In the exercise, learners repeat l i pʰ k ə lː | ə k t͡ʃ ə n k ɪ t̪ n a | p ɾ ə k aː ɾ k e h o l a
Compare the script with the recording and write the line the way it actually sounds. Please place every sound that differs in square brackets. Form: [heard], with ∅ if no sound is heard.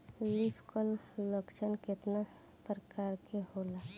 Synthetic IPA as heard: l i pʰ k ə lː | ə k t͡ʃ ə n k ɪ t̪ n a | p ɾ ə k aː ɾ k e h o l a